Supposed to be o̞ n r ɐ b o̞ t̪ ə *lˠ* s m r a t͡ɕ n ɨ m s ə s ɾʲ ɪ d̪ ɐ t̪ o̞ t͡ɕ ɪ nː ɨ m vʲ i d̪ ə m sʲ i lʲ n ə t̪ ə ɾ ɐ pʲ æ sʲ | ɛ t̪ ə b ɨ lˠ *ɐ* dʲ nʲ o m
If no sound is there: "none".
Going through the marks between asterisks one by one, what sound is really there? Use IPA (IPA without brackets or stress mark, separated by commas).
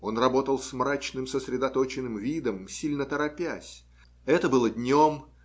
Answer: lˠ, ə